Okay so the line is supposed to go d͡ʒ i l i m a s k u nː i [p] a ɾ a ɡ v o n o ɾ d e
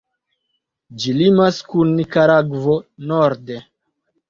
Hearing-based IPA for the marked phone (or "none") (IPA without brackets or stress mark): k